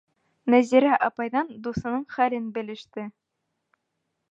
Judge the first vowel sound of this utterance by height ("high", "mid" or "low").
low